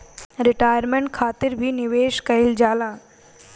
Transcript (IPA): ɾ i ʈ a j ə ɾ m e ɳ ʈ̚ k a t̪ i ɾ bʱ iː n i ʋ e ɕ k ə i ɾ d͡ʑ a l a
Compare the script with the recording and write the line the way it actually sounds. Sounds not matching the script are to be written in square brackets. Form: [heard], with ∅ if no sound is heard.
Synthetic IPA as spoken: ɾ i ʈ a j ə ɾ m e ɳ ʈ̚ [kʰ] a t̪ i ɾ bʱ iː n i ʋ e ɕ k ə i [l] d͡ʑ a l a

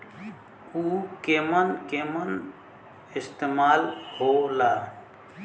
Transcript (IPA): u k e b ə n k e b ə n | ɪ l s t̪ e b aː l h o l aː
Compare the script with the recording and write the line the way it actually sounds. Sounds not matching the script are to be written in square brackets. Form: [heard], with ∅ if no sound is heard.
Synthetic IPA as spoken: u k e [m] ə n k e [m] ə n | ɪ [∅] s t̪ e [m] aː l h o l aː

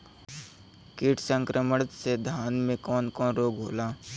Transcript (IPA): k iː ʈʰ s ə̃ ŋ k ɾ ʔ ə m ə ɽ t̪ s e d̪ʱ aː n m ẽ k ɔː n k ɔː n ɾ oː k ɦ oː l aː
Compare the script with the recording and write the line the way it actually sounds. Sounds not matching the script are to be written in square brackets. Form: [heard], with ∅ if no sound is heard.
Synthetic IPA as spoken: k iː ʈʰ s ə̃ ŋ k ɾ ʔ ə m ə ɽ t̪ s e d̪ʱ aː n m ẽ k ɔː n k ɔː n ɾ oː [ɡ] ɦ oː l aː

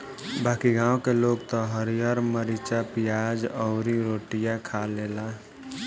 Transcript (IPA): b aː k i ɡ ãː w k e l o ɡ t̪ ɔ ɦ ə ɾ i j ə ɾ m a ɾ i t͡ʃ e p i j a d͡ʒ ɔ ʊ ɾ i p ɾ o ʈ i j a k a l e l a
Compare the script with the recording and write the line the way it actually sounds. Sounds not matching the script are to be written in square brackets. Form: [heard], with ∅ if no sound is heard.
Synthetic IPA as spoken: b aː k i ɡ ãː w k e l o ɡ t̪ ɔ ɦ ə ɾ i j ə ɾ m [ə] ɾ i t͡ʃ [a] p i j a d͡ʒ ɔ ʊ ɾ i [∅] ɾ o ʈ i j a [kʰ] a l e l a

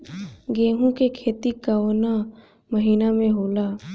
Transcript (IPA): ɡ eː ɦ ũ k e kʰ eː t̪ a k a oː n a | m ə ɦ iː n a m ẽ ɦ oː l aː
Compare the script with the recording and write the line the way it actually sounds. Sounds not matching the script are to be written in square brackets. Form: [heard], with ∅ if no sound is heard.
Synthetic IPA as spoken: ɡ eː ɦ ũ k e kʰ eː t̪ [i] k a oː n a | m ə ɦ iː n a m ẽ ɦ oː l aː

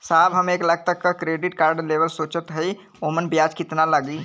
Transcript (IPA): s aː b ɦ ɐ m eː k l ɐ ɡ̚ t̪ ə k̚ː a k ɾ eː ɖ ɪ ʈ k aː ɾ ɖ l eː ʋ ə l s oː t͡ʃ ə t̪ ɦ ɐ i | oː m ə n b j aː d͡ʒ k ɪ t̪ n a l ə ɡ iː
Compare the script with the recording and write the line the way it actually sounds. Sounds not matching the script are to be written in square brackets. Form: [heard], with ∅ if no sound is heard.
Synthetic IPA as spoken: s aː b ɦ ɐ m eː k l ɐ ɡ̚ t̪ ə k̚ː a k ɾ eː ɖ ɪ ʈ k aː ɾ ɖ l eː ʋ ə l s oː t͡ʃ ə t̪ ɦ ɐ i | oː m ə n b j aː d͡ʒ k ɪ t̪ n a l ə ɡ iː

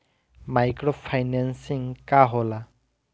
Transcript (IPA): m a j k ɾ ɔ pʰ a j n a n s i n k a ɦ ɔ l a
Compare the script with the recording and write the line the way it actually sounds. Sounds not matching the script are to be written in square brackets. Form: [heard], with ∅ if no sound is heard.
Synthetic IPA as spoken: m a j k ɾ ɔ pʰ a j n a n s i [ŋ] k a ɦ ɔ l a

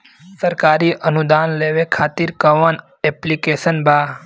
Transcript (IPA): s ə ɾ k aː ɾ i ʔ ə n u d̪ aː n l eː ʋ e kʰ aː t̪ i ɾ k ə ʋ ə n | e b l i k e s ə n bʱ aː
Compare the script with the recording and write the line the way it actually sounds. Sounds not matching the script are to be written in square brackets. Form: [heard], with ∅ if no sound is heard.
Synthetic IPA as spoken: s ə ɾ k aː ɾ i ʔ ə n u d̪ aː n l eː ʋ e kʰ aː t̪ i ɾ k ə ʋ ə n | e [p] l i k e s ə n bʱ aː

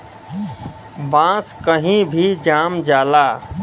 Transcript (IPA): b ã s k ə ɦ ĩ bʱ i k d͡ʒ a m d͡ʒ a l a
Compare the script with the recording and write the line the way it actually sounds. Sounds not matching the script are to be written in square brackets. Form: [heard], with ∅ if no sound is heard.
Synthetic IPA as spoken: b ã s k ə ɦ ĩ bʱ i [∅] d͡ʒ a m d͡ʒ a l a

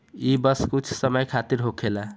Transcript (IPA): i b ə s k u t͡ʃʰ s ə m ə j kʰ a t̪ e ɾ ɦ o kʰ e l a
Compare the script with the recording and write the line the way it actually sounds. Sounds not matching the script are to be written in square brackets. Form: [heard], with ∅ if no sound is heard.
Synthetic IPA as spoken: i b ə s k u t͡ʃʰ s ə m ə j kʰ a t̪ [i] ɾ ɦ o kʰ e l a

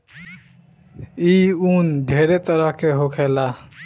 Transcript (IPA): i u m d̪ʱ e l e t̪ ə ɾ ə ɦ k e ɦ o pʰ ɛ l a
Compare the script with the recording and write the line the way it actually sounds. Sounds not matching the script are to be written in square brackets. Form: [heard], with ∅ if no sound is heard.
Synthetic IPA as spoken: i u [n] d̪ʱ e [ɾ] e t̪ ə ɾ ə ɦ k e ɦ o [kʰ] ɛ l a

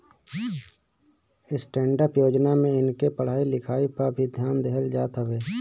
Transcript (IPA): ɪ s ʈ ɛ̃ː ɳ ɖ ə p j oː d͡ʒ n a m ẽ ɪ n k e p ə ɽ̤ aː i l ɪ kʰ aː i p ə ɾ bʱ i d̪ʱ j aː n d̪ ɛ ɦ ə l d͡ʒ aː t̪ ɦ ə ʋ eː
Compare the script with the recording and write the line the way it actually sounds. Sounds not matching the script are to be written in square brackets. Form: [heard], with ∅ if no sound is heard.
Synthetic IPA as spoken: ɪ s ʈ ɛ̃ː ɳ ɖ ə p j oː d͡ʒ n a m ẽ ɪ n k e p ə ɽ̤ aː i l ɪ kʰ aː i p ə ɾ bʱ i d̪ʱ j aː n d̪ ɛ ɦ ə l d͡ʒ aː t̪ ɦ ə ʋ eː

